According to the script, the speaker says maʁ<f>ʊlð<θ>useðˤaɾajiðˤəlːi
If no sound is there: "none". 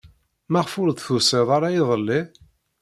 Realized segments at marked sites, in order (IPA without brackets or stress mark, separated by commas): f, θ